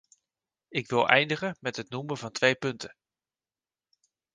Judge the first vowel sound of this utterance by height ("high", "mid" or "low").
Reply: high